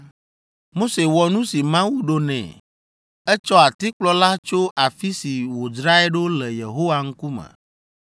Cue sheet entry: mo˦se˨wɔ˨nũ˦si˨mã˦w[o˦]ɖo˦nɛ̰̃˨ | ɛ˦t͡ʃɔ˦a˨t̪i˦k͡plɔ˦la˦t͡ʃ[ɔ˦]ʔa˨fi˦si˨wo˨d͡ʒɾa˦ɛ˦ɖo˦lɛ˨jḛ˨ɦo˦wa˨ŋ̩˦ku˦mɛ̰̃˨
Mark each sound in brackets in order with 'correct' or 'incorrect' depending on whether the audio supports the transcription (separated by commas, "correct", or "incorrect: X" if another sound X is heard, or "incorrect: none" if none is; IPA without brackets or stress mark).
incorrect: u˦, incorrect: o˦